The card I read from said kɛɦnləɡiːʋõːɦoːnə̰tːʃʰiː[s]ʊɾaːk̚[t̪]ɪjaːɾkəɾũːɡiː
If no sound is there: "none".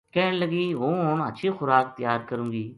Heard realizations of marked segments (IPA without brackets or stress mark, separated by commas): x, t̪